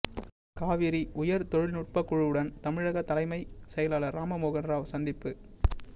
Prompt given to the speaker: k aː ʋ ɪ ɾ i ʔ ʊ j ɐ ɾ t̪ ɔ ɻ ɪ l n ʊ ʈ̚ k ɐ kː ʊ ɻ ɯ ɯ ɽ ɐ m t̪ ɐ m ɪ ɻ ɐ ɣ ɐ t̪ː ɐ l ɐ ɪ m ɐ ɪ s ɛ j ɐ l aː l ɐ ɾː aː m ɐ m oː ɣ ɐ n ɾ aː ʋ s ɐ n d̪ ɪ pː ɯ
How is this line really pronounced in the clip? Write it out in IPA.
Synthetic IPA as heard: k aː ʋ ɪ ɾ i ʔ ʊ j ɐ ɾ t̪ ɔ ɻ ɪ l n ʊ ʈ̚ p ɐ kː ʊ ɻ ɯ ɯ ɽ ɐ n t̪ ɐ m ɪ ɻ ɐ ɣ ɐ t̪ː ɐ l ɐ ɪ m ɐ ɪ s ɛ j ɐ l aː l ɐ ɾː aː m ɐ m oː ɣ ɐ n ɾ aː ʋ s ɐ n d̪ ɪ pː ɯ